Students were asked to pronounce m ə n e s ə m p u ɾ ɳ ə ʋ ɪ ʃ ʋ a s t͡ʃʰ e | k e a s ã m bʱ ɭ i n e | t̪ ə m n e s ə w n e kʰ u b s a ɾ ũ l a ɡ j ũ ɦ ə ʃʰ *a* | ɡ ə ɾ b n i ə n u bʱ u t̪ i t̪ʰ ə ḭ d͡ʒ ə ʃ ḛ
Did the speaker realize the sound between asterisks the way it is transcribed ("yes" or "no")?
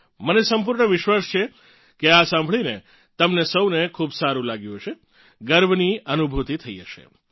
no